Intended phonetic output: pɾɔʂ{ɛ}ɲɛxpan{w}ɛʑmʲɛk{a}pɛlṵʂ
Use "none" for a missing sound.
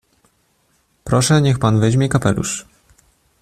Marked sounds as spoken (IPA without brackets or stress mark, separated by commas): ɛ, v, a